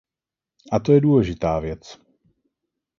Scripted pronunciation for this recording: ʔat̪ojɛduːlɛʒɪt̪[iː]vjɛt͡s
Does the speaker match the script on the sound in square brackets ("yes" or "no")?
no